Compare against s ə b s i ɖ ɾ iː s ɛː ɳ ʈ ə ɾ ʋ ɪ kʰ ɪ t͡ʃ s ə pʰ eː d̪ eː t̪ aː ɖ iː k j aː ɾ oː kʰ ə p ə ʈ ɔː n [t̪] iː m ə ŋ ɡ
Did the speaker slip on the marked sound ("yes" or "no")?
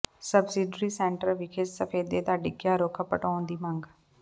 yes